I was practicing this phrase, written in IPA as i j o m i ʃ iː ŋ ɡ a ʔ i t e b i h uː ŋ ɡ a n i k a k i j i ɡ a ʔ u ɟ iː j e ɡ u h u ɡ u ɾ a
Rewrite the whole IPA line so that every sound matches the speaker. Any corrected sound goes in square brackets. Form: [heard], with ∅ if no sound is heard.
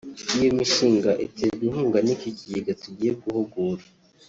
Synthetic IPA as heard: i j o m i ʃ iː ŋ ɡ a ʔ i t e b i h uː ŋ ɡ a n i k [i] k i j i ɡ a [t] u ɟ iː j e ɡ u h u ɡ u ɾ a

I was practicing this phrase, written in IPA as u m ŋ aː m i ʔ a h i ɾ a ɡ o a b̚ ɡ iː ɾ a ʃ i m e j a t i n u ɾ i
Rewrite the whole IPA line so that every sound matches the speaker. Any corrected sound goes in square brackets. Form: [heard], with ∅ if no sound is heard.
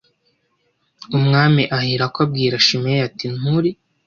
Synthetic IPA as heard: u m ŋ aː m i ʔ a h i ɾ a [k] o a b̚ ɡ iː ɾ a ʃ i m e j a t i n u ɾ i

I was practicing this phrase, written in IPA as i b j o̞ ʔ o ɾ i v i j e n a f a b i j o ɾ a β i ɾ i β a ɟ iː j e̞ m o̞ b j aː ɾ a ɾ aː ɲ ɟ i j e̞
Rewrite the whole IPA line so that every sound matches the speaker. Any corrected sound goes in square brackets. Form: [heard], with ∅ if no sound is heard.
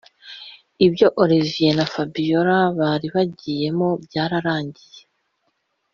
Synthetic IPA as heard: i b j o̞ ʔ o ɾ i v i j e n a f a b i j o ɾ a β [a] ɾ i β a ɟ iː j e̞ m o̞ b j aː ɾ a ɾ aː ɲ ɟ i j e̞

